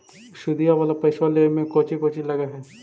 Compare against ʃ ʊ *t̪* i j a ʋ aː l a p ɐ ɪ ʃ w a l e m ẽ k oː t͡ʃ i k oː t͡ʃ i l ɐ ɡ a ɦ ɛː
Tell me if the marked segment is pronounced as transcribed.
no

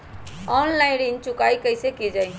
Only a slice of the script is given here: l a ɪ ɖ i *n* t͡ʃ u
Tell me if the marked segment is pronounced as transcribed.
yes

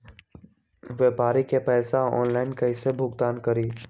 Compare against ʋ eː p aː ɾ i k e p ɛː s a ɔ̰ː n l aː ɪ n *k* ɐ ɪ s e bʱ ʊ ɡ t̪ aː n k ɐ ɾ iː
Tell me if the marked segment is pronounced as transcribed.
yes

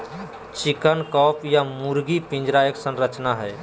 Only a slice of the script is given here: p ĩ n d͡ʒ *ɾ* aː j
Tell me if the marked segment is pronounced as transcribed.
yes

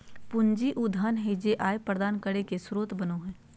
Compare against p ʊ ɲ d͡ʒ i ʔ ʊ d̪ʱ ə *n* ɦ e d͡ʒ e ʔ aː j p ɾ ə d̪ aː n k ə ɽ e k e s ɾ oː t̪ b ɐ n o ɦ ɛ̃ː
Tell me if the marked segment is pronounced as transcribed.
yes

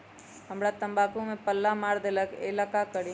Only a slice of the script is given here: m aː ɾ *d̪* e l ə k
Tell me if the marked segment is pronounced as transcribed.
yes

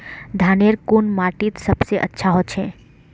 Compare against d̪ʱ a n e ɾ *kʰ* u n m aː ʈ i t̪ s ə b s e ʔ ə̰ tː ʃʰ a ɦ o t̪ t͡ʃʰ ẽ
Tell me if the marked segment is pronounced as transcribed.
no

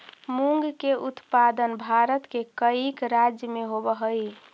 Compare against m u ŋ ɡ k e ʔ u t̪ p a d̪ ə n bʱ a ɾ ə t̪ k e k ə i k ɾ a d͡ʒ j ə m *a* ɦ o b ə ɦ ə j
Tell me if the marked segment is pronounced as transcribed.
no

